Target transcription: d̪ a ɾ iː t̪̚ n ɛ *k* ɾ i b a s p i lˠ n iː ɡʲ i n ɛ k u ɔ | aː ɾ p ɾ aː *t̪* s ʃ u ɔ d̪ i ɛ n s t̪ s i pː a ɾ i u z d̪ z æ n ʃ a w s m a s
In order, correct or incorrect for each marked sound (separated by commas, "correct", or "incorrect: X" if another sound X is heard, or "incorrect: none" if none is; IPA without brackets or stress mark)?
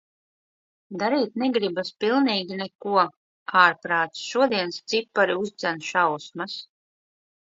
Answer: incorrect: ɡ, correct